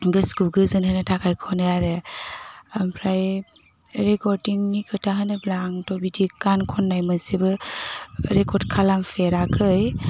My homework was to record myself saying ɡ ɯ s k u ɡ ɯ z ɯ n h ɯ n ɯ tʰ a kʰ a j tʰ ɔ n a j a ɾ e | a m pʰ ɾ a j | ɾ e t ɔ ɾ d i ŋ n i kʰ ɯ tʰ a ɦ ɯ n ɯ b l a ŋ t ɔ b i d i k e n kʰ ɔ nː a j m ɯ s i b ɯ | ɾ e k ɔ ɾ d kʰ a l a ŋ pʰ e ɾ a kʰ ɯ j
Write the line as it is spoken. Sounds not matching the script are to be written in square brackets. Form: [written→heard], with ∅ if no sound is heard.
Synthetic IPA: ɡ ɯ s k u ɡ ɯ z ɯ n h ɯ n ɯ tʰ a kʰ a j [tʰ→kʰ] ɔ n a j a ɾ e | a m pʰ ɾ a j | ɾ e [t→k] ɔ ɾ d i ŋ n i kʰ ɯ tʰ a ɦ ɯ n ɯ b l a ŋ t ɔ b i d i k [e→a] n kʰ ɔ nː a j m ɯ s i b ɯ | ɾ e k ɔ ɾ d kʰ a l a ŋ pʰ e ɾ a kʰ ɯ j